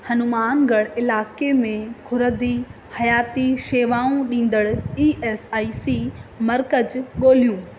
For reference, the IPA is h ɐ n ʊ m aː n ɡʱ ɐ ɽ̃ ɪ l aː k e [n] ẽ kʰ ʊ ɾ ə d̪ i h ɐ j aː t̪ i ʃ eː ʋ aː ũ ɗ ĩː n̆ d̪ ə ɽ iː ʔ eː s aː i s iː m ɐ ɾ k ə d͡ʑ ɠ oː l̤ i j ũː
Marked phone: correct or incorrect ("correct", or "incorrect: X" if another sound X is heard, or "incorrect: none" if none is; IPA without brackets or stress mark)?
incorrect: m